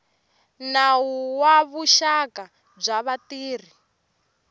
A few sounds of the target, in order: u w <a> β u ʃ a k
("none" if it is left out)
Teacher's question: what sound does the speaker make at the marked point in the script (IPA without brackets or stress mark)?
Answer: a